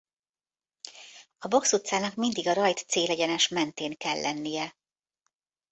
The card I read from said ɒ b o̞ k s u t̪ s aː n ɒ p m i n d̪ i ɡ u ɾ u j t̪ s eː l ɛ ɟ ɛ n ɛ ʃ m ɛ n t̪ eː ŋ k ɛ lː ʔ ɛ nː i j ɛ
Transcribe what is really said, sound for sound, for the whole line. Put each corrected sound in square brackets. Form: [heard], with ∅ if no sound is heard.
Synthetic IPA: ɒ b o̞ k s u t̪ s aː n ɒ [k] m i n d̪ i ɡ [ɒ] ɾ [ɒ] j t̪ s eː l ɛ ɟ ɛ n ɛ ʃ m ɛ n t̪ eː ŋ k ɛ lː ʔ ɛ nː i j ɛ